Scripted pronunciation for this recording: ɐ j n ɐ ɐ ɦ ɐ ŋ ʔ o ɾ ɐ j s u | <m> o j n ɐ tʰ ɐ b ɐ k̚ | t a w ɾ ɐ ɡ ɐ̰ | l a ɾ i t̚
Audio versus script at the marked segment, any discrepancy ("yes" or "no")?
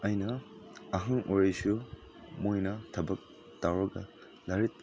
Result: no